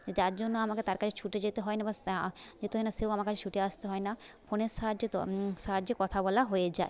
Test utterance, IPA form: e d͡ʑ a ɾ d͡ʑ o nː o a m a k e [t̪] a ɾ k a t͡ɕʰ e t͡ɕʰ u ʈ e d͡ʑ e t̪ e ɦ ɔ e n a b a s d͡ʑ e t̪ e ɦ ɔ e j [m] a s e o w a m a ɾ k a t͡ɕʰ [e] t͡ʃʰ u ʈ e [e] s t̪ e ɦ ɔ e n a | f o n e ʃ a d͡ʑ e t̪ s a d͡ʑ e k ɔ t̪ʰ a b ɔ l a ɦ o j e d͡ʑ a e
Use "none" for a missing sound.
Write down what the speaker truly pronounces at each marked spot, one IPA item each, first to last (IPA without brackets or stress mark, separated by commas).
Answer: t̪, n, e, a